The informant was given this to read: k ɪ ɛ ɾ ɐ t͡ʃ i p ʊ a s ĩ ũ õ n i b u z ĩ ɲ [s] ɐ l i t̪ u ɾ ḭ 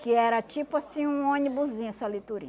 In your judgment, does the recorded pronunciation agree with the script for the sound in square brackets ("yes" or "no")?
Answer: yes